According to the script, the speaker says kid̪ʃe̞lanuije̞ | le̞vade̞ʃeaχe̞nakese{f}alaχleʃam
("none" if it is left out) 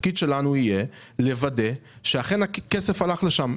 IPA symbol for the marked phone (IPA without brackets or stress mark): f